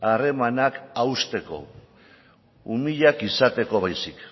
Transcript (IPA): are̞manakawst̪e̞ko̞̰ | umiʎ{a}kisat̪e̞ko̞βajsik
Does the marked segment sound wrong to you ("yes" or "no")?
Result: no